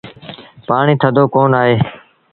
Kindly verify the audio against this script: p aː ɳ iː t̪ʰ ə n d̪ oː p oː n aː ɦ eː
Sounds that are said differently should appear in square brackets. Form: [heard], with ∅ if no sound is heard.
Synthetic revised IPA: p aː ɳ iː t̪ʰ ə [∅] d̪ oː [k] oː n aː ɦ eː